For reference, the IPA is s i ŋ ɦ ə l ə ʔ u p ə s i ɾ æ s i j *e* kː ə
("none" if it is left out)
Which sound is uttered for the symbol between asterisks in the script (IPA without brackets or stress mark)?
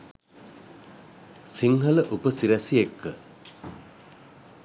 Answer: e